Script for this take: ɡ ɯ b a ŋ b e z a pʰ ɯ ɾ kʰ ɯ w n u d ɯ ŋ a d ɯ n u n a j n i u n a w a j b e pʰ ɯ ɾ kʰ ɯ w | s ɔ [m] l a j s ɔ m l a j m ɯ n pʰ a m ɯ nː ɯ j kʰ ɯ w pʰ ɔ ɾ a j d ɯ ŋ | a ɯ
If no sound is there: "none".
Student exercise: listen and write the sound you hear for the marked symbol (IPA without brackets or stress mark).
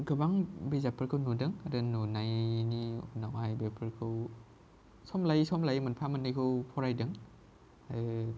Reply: m